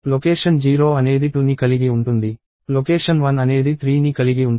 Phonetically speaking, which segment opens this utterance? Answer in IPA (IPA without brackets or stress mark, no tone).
l